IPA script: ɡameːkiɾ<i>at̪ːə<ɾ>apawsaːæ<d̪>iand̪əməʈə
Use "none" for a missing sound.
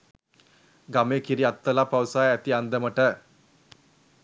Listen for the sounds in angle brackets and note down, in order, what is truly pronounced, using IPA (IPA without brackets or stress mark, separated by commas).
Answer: i, l, t̪